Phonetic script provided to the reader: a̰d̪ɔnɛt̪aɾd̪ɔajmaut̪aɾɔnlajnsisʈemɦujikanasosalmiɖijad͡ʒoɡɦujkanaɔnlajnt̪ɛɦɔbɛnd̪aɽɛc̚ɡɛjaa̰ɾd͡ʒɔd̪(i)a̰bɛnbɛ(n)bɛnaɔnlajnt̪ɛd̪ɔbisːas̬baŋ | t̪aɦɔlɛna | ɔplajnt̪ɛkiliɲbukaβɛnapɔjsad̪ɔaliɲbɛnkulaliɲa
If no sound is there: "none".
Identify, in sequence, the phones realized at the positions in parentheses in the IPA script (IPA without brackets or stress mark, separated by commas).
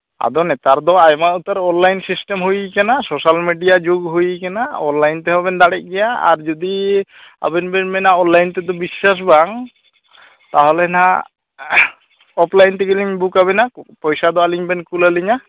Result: i, n